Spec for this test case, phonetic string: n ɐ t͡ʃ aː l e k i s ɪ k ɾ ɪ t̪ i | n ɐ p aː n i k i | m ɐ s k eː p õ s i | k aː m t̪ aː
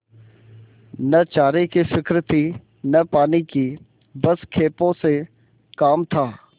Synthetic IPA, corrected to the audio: n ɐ t͡ʃ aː ɾ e k i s ɪ k ɾ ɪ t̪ i | n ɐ p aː n i k i | b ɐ s kʰ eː p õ s e | k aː m t̪ʰ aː